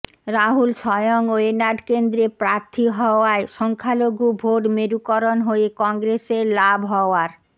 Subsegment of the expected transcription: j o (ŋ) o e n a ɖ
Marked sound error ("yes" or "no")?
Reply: no